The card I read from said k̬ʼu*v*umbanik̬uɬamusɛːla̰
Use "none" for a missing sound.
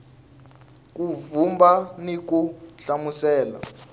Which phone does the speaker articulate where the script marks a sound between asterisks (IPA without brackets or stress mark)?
v